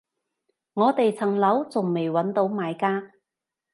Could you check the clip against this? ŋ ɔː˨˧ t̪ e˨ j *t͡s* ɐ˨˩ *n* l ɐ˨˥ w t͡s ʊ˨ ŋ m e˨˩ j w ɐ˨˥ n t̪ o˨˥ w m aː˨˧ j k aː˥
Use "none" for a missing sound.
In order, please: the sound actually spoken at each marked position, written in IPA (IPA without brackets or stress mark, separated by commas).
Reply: t͡sʰ, ŋ